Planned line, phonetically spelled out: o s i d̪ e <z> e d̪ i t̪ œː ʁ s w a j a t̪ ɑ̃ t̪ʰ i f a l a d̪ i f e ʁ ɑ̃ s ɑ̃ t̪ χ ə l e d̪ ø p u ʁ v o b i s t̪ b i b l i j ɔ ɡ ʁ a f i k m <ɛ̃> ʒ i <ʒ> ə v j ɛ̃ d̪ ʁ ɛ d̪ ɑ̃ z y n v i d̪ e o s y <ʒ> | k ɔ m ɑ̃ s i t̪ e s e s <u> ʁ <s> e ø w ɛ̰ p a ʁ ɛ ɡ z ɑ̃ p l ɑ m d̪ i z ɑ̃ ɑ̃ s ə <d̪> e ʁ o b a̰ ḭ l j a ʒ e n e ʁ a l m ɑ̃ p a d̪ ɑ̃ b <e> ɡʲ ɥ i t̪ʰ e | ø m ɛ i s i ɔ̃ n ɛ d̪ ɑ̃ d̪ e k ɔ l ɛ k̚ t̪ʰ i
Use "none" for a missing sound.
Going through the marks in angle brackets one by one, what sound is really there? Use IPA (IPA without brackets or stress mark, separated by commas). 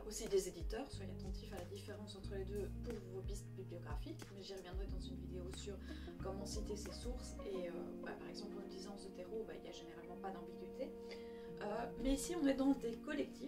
z, ɛ, ʁ, ʁ, u, s, t̪, i